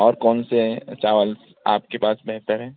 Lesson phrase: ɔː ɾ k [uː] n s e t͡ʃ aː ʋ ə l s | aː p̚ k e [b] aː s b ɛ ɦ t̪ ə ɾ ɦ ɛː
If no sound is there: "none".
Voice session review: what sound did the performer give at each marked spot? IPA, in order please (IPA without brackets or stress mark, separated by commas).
ɔː, p